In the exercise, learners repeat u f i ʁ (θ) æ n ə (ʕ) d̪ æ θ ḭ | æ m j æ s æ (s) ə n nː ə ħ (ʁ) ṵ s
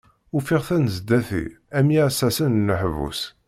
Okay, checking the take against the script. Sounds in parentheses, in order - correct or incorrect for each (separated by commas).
correct, incorrect, correct, incorrect